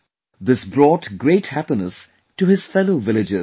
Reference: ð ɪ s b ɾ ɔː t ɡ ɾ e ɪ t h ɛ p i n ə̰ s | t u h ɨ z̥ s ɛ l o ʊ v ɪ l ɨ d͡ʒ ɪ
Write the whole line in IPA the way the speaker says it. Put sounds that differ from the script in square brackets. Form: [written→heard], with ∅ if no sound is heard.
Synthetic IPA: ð ɪ s b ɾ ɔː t ɡ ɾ e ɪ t h [ɛ→æ] p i n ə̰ s | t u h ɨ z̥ [s→f] ɛ l o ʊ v ɪ l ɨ d͡ʒ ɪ

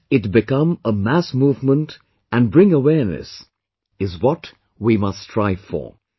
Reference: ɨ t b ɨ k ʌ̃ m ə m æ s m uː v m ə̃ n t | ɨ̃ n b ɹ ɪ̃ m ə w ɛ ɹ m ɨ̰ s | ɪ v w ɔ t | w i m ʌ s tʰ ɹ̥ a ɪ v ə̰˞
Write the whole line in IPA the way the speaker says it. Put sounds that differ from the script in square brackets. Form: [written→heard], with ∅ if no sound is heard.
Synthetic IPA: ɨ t b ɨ k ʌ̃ m ə m æ s m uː v m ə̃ n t | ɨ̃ n b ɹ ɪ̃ [m→ŋ] ə w ɛ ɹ [m→n] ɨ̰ s | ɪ [v→z] w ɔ t | w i m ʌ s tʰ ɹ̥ a ɪ [v→f] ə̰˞

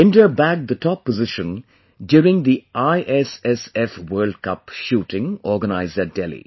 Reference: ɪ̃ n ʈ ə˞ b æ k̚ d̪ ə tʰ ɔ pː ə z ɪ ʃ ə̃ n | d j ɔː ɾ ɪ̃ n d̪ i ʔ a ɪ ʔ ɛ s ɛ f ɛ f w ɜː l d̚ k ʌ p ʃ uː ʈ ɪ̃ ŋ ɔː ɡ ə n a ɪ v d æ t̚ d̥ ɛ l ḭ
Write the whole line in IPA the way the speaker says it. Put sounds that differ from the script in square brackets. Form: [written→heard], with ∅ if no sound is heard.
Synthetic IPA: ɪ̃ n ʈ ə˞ b æ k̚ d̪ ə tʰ ɔ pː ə z ɪ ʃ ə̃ n | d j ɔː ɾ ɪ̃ [n→ŋ] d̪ i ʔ a ɪ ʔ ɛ s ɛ [f→s] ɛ f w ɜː l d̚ k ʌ p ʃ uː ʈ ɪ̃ ŋ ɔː ɡ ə n a ɪ [v→z] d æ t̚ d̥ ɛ l ḭ

